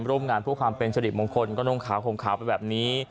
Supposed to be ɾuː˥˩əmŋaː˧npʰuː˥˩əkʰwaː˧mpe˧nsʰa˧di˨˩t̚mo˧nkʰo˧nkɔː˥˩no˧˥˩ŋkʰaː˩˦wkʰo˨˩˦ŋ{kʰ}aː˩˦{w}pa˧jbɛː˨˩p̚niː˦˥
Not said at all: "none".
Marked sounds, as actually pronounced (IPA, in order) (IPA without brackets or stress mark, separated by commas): kʰ, w